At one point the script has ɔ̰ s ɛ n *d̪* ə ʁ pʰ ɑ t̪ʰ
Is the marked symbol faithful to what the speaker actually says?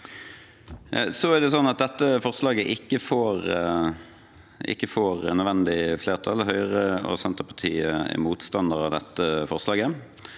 no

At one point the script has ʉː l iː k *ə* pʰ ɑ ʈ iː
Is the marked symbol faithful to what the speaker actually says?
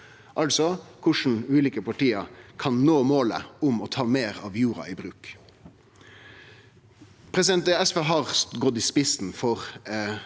yes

